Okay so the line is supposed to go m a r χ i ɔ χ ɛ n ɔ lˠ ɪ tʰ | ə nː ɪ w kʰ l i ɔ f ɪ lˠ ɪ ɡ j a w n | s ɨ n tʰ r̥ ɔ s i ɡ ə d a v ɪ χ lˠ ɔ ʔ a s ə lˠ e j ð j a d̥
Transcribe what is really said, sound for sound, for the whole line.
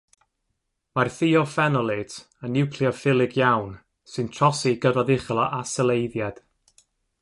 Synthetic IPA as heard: m a r θ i ɔ f ɛ n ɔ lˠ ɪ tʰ | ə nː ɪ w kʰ l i ɔ f ɪ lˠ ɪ ɡ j a w n | s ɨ n tʰ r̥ ɔ s i ɡ ə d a ð ɪ χ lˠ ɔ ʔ a s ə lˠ e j ð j a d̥